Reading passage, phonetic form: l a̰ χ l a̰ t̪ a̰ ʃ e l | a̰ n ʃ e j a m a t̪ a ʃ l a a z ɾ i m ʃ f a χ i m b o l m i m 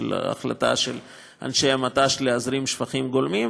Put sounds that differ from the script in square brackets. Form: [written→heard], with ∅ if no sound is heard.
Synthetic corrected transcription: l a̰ χ l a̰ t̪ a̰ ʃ e l | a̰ n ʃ e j a m a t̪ a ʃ l [a→e] a z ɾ i m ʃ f a χ i m [b→ɡ] o l m i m